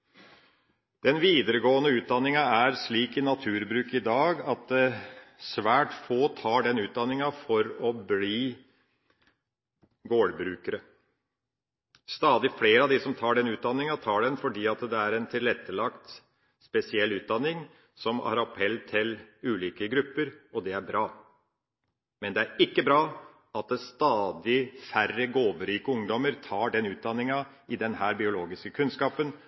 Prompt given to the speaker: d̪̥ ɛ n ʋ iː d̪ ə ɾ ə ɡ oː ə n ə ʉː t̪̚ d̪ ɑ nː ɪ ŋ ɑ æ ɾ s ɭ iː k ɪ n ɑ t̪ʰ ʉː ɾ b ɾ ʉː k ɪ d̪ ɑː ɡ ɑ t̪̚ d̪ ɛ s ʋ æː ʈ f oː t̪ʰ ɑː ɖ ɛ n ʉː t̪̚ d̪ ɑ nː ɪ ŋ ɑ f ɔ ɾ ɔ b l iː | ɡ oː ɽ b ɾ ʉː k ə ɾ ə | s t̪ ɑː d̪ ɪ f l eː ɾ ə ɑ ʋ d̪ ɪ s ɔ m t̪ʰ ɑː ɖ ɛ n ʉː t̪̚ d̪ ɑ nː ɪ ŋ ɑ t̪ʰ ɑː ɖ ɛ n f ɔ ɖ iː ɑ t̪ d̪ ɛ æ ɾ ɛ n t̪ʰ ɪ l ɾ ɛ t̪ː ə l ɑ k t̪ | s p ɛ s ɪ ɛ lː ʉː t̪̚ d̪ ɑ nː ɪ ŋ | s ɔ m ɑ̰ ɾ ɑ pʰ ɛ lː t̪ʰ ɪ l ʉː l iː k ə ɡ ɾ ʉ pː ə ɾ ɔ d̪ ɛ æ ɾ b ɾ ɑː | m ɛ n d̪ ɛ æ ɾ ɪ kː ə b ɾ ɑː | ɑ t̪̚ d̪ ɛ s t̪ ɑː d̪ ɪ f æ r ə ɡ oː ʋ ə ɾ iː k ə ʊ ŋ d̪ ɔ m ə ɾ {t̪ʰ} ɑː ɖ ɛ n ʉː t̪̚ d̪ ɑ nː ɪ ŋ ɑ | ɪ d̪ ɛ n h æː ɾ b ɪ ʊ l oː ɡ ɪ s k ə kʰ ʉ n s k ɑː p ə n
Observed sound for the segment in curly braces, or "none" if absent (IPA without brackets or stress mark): t̪ʰ